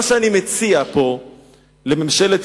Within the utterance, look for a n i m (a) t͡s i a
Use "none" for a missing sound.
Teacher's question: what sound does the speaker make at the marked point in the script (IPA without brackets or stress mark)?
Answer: e